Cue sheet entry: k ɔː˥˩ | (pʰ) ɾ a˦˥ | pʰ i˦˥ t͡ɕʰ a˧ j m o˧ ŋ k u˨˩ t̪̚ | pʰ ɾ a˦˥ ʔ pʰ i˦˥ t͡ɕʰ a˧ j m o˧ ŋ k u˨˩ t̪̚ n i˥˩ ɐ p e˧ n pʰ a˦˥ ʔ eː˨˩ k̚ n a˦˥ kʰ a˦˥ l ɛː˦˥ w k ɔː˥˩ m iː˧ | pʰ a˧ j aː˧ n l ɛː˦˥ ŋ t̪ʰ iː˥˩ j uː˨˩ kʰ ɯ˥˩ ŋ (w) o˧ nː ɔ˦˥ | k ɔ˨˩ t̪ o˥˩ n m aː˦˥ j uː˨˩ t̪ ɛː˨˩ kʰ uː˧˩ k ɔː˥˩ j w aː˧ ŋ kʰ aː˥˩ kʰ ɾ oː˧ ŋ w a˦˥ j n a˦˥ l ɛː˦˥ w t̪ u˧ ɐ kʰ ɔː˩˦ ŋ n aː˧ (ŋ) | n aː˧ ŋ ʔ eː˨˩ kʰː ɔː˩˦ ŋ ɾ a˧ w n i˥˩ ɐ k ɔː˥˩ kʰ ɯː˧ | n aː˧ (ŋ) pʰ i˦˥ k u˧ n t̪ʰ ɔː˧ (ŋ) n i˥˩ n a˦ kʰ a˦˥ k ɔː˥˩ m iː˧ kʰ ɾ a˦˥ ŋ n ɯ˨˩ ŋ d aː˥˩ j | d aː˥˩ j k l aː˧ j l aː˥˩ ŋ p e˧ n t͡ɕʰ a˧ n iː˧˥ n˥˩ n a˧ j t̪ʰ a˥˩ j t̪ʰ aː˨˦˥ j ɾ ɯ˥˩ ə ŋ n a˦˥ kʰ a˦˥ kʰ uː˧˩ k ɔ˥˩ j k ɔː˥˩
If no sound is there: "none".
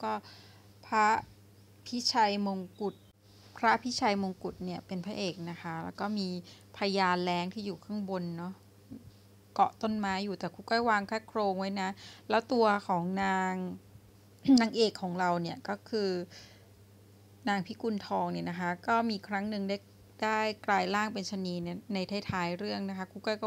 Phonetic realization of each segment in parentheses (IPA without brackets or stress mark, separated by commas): pʰ, b, ŋ, ŋ, ŋ